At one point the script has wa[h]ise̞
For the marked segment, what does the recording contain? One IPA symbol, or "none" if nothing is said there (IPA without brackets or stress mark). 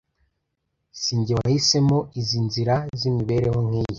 h